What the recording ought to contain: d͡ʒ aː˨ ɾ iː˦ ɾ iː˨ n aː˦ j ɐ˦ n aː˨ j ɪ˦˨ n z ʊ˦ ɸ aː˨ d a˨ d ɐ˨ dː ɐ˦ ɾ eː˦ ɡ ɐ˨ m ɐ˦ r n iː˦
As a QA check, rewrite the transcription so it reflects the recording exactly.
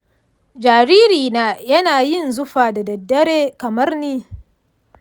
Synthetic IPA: d͡ʒ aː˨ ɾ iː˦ ɾ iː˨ n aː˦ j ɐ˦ n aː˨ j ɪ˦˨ n z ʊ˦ ɸ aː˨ d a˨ d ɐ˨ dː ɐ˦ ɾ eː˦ k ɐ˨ m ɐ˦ r n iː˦